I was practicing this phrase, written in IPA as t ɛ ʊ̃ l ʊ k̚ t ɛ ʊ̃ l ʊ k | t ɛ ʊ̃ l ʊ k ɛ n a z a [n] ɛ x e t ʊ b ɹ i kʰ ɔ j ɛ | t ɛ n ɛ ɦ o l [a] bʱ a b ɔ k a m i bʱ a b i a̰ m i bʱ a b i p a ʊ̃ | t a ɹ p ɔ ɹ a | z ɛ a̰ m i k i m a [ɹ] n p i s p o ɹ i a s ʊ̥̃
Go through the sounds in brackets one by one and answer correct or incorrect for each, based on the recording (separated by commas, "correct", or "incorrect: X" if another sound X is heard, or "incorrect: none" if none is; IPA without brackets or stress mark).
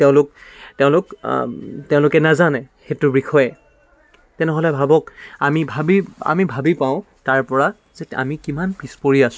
correct, incorrect: ɛ, incorrect: none